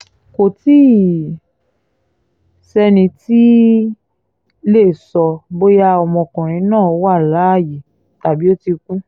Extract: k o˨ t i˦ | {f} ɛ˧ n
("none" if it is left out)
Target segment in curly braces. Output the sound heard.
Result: s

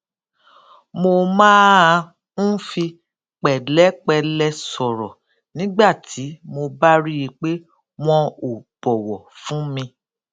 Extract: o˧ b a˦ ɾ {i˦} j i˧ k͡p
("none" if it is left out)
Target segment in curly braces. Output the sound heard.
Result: i˦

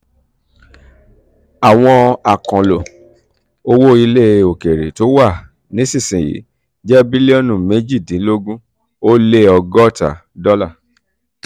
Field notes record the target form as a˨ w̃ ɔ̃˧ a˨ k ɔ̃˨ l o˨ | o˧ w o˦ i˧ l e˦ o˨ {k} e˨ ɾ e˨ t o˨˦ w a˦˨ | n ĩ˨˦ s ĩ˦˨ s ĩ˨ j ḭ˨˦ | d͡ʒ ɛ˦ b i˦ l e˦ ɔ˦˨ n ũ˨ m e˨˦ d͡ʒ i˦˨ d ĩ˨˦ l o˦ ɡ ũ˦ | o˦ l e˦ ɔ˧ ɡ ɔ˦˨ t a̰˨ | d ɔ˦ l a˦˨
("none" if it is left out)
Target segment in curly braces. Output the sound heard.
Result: k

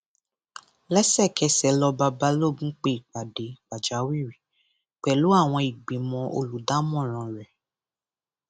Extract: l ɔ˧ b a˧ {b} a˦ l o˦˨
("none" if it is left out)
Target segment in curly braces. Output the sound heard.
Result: b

